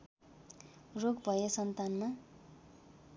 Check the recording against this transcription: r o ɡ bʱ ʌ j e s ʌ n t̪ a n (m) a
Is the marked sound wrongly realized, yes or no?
no